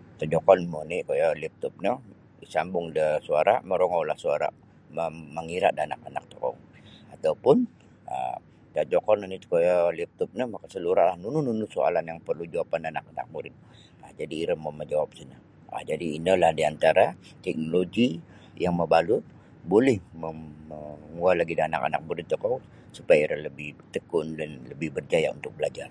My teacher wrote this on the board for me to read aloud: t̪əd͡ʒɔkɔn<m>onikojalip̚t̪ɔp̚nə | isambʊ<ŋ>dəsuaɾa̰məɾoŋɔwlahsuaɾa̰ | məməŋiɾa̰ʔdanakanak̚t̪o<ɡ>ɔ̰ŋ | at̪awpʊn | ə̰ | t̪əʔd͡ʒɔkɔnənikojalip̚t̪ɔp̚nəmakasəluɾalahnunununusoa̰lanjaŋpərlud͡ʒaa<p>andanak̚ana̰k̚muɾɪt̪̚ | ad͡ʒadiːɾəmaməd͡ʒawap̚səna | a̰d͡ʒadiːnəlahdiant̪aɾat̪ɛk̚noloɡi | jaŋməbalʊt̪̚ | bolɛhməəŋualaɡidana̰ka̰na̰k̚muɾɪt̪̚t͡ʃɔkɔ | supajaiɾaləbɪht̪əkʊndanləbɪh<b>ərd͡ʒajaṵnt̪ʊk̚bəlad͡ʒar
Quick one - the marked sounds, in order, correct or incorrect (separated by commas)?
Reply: correct, correct, incorrect, correct, correct